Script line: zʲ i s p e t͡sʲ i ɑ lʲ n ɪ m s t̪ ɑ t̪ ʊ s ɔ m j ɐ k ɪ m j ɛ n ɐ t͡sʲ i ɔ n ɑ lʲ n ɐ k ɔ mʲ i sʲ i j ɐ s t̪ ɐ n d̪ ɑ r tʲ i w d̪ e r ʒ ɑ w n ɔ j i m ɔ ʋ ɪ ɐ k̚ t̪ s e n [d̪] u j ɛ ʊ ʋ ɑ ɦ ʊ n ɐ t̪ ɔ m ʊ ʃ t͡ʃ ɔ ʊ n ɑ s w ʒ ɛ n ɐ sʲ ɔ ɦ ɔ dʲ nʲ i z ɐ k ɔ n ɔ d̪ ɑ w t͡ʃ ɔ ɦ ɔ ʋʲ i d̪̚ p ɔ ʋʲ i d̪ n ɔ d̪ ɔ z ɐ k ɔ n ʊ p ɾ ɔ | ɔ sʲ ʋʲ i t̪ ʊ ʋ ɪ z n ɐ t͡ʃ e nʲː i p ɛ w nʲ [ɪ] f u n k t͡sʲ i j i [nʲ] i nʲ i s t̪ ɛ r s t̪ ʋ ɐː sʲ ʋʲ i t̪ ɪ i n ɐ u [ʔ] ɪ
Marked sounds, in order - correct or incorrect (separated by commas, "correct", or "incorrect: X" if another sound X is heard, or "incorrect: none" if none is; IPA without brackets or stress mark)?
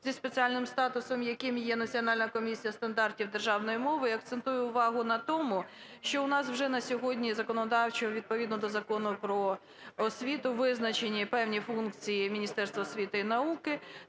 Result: incorrect: t̪, incorrect: i, incorrect: mʲ, incorrect: k